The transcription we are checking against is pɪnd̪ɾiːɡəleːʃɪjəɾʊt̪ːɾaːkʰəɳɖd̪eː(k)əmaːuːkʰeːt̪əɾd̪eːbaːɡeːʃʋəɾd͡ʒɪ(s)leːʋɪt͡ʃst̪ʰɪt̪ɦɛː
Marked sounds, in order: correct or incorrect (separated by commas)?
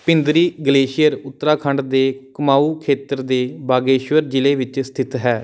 correct, incorrect